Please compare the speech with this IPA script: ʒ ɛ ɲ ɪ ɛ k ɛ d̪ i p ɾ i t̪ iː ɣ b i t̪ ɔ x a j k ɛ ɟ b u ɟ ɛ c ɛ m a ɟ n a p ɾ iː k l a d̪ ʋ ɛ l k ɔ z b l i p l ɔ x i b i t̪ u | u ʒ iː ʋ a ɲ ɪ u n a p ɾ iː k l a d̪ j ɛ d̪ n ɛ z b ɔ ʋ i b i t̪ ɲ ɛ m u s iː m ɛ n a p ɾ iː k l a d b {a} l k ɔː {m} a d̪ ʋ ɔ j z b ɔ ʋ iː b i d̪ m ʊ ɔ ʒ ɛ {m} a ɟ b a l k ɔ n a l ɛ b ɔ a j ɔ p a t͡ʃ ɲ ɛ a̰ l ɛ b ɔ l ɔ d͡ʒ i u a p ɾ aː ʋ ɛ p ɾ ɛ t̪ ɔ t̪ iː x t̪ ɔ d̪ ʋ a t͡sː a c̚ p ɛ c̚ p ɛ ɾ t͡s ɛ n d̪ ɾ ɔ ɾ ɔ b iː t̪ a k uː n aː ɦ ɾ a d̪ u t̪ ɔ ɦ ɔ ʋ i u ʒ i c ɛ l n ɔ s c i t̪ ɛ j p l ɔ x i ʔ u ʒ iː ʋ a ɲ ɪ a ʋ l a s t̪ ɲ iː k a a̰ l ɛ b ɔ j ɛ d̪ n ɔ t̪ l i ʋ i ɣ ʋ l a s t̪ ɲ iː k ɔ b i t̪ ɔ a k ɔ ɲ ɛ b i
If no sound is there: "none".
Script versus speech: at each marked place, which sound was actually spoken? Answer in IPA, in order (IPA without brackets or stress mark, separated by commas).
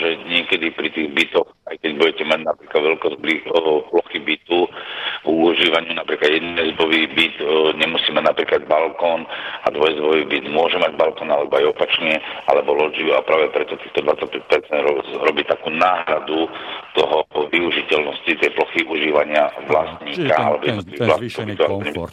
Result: a, n, m